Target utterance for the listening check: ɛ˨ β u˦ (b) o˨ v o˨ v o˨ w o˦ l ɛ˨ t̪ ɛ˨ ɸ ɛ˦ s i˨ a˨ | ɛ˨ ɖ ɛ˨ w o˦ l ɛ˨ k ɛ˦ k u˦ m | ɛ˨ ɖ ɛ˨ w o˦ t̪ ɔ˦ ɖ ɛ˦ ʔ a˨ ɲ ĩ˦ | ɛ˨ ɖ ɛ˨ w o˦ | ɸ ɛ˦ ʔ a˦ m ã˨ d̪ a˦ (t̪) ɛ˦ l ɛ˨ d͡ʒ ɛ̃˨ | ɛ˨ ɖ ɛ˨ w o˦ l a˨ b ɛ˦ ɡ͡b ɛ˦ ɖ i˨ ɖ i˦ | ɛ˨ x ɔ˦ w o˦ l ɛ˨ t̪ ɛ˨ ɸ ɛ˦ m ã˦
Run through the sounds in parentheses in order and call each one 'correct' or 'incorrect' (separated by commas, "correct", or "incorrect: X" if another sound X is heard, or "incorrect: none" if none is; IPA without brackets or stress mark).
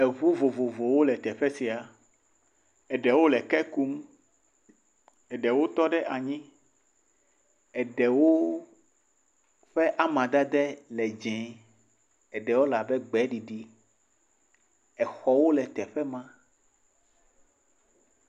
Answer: incorrect: v, incorrect: d̪